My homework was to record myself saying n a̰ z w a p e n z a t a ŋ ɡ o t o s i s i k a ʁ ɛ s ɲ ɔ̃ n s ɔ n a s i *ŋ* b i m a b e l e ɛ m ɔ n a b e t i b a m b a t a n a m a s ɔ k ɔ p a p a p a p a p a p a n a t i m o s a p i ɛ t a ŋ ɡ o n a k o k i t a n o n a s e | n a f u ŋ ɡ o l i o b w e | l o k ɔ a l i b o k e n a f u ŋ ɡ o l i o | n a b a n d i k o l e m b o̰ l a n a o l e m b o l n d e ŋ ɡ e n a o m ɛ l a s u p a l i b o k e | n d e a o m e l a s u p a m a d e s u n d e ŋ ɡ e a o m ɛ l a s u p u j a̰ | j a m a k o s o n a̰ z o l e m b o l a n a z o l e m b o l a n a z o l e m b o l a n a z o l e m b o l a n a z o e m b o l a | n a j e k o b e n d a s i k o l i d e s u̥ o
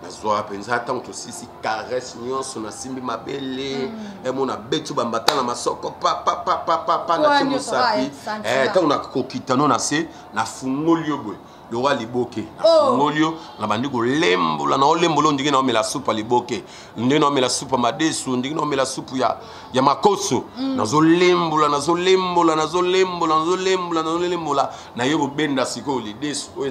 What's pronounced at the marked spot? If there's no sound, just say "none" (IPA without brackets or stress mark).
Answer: m